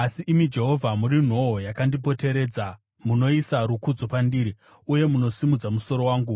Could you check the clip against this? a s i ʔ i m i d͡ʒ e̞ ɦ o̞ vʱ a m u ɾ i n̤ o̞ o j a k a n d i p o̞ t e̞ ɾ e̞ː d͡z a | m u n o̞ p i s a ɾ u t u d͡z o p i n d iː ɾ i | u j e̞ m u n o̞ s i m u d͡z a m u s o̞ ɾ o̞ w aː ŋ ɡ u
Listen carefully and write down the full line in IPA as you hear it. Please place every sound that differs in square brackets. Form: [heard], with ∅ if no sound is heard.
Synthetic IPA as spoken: a s i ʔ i m i d͡ʒ e̞ ɦ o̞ vʱ a m u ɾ i n̤ o̞ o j a k a n d i p o̞ t e̞ ɾ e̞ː d͡z a | m u n o̞ [∅] i s a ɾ u [k] u d͡z o p [a] n d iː ɾ i | u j e̞ m u n o̞ s i m u d͡z a m u s o̞ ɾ o̞ w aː ŋ ɡ u